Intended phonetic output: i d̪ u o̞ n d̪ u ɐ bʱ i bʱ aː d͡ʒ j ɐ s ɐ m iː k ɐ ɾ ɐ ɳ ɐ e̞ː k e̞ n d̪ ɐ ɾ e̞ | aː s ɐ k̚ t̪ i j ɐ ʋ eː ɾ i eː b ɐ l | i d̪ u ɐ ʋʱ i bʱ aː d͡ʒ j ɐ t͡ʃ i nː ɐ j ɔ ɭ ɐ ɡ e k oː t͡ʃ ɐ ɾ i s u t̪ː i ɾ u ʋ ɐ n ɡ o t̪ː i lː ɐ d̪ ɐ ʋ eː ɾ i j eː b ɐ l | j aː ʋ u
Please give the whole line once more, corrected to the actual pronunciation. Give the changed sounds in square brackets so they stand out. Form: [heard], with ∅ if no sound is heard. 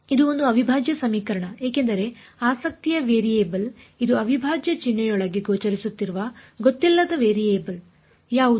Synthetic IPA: i d̪ u o̞ n d̪ u ɐ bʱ i bʱ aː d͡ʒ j ɐ s ɐ m iː k ɐ ɾ ɐ ɳ ɐ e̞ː k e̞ n d̪ ɐ ɾ e̞ | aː s ɐ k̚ t̪ i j ɐ ʋ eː ɾ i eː b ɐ l | i d̪ u ɐ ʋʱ i bʱ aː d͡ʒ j ɐ t͡ʃ i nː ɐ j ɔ ɭ ɐ ɡ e [ɡ] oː t͡ʃ ɐ ɾ i s u t̪ː i ɾ u ʋ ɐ [∅] ɡ o t̪ː i lː ɐ d̪ ɐ ʋ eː ɾ i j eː b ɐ l | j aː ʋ u